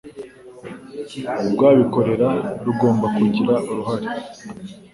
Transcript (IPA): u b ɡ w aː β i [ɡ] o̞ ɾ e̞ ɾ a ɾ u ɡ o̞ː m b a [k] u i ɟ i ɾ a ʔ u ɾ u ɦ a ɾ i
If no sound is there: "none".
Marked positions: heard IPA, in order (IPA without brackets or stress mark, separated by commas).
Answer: k, k